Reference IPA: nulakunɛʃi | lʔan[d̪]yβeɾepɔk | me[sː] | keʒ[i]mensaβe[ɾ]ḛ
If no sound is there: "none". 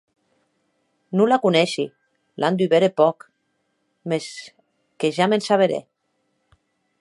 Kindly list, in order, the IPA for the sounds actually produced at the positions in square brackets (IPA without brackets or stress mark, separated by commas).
d̪, s, a, ɾ